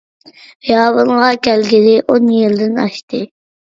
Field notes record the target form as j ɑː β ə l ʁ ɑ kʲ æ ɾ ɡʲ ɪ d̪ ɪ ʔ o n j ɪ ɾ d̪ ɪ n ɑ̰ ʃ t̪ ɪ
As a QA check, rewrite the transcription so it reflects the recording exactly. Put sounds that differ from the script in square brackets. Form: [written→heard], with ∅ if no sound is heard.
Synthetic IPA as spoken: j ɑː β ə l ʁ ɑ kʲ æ [ɾ→l] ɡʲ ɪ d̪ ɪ ʔ o n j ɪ [ɾ→l] d̪ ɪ n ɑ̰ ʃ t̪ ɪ